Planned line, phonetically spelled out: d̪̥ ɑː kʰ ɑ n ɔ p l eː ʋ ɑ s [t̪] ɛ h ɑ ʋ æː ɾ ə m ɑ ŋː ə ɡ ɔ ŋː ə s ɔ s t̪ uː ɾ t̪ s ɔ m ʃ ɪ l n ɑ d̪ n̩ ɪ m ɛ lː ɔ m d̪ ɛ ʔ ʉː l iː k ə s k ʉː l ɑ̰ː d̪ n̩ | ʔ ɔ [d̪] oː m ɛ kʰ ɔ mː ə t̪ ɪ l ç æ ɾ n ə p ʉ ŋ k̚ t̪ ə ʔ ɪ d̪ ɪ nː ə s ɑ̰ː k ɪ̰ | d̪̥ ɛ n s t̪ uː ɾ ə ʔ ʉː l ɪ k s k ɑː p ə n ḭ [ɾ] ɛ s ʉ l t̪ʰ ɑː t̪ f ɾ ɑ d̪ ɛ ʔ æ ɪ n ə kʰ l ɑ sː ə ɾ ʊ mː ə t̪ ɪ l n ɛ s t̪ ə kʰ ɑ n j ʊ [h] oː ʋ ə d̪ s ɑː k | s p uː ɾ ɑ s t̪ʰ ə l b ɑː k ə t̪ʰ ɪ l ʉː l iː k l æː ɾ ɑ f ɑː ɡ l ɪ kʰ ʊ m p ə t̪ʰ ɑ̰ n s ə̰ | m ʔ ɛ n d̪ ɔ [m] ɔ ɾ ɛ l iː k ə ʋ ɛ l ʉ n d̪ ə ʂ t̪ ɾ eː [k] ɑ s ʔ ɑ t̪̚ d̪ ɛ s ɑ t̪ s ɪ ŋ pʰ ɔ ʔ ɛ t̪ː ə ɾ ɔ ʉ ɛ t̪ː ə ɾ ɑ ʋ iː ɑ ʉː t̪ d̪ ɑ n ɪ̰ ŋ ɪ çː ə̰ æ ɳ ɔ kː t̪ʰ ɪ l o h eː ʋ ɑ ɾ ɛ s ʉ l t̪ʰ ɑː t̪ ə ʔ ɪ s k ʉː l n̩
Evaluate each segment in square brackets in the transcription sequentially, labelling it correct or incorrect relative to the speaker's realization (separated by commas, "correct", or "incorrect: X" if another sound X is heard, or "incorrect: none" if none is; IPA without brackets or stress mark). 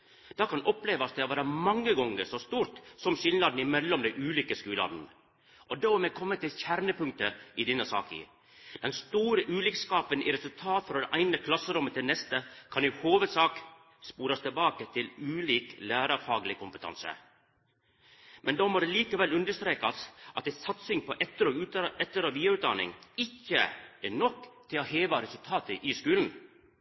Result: incorrect: d̪, correct, correct, correct, correct, correct